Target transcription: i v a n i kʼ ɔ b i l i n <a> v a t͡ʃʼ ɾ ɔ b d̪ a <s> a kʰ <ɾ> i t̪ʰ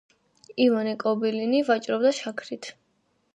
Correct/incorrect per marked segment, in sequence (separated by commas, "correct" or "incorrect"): incorrect, incorrect, correct